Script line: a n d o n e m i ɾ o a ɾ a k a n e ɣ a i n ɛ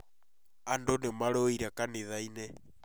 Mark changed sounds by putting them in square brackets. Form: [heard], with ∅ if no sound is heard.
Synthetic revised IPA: a n d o n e m [a] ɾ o [i] ɾ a k a n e [ð] a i n ɛ